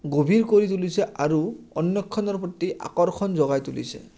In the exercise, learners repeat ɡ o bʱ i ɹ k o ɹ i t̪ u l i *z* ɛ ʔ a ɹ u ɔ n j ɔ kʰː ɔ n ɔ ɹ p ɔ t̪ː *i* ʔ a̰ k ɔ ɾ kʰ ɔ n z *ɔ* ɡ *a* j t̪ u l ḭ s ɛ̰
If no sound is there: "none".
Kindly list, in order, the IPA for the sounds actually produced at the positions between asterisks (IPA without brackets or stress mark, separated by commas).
s, i, ɔ, a